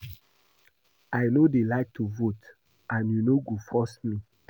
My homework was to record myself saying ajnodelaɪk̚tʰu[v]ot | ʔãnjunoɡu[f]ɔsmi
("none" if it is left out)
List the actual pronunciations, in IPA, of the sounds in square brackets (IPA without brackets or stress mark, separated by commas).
v, f